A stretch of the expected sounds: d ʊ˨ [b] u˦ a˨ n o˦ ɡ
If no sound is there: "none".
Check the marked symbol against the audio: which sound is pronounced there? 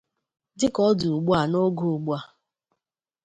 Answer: ɡ͡b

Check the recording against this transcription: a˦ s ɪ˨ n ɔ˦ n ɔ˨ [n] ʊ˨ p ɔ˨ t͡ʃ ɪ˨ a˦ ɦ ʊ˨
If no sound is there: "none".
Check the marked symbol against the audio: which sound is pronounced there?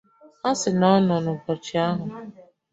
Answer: n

